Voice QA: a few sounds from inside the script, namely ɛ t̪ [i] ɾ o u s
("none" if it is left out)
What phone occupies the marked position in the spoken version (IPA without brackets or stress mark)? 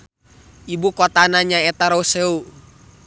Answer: a